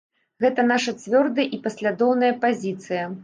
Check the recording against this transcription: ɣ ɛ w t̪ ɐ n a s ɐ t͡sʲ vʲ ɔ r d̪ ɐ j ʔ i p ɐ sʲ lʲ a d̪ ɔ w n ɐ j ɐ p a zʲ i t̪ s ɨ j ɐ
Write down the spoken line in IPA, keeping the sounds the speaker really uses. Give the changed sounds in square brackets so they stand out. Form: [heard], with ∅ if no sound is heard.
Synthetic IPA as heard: ɣ ɛ [∅] t̪ ɐ n a [ʂ] ɐ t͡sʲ vʲ ɔ r d̪ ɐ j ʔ i p ɐ sʲ lʲ a d̪ ɔ w n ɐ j ɐ p a zʲ i t̪ s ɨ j ɐ